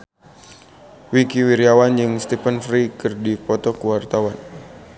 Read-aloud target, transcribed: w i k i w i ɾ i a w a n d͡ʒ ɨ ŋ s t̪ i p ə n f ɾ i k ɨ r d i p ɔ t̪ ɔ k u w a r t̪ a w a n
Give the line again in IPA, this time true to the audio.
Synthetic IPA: w i k i w i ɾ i a w a n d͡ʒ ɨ ŋ s t̪ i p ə n f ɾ i k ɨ r d i p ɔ t̪ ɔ k u w a r t̪ a w a n